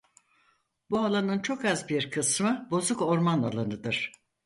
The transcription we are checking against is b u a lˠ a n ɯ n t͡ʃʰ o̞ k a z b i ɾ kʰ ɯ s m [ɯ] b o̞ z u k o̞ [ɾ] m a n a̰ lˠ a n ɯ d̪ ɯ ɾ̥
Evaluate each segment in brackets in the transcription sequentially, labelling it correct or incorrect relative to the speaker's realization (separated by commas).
correct, correct